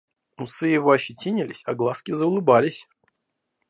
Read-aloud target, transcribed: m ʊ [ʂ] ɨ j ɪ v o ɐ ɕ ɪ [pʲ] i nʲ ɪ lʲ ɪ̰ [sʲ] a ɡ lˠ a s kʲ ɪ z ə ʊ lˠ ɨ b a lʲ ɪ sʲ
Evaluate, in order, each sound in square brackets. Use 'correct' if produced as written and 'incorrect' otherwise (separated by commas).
incorrect, incorrect, correct